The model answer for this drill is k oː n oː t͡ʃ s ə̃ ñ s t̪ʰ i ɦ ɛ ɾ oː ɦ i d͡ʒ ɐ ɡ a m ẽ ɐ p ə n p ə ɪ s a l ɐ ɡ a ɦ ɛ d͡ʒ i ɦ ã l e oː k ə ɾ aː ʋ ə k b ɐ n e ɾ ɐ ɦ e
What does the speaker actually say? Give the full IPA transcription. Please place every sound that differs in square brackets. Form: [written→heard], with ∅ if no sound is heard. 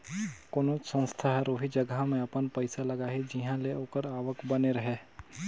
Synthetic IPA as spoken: k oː n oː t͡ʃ s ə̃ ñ s t̪ʰ [i→a] ɦ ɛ ɾ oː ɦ i d͡ʒ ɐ ɡ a m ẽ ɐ p ə n p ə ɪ s a l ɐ ɡ a ɦ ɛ d͡ʒ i ɦ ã l e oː k ə ɾ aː ʋ ə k b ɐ n e ɾ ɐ ɦ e